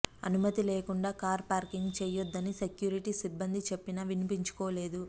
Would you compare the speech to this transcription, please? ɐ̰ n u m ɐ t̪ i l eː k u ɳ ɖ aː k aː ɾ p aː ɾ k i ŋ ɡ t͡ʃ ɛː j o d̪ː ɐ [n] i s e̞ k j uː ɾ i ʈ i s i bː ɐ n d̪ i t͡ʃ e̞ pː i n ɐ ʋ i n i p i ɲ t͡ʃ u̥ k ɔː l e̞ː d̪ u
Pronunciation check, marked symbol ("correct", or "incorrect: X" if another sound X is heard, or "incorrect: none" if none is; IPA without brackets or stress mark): correct